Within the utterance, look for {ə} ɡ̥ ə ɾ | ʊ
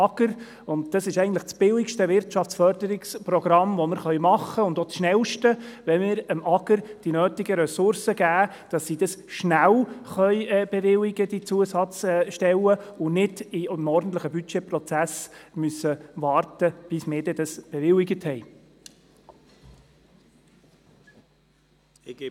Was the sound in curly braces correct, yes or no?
no